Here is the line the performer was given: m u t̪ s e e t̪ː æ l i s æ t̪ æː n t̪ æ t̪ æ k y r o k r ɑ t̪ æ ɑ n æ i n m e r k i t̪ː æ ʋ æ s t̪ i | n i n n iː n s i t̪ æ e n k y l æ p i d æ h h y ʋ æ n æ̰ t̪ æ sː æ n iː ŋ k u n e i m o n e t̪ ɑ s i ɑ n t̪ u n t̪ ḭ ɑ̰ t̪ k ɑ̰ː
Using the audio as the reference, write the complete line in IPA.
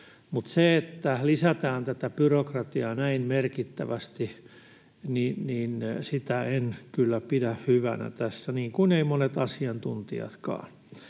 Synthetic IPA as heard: m u t̪ s e e t̪ː æ l i s æ t̪ æː n t̪ æ t̪ æ p y r o k r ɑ t̪ i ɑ n æ i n m e r k i t̪ː æ ʋ æ s t̪ i | n i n n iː n s i t̪ æ e n k y lː æ p i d æ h h y ʋ æ n æ̰ t̪ æ sː æ n iː ŋ k u n e i m o n e t̪ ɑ s i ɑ n t̪ u n t̪ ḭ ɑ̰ t̪ k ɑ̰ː